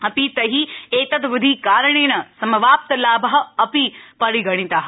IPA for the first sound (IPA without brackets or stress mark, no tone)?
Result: ɐ